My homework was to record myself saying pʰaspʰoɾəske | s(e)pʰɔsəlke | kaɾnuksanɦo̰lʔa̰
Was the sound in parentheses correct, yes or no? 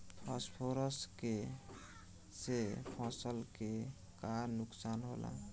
yes